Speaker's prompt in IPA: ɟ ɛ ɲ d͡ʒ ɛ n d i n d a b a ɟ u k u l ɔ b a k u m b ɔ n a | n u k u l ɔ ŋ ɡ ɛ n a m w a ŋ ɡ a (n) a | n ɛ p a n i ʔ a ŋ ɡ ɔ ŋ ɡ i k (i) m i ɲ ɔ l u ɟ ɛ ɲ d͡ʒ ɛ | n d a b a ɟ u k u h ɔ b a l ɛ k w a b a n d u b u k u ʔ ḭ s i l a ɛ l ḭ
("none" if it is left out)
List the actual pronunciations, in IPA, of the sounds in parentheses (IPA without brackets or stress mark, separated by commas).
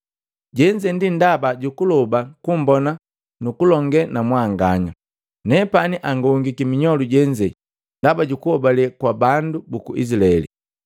ɲ, i